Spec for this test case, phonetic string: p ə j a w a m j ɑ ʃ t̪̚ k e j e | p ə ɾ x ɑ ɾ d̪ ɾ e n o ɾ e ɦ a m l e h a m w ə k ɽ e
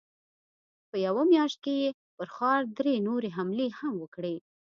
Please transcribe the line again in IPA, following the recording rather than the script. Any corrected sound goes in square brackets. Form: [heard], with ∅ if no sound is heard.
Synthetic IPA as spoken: p ə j a w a m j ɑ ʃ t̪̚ k e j e | p ə ɾ x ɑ ɾ d̪ ɾ e n o ɾ e ɦ a m l e h a m w ə k ɽ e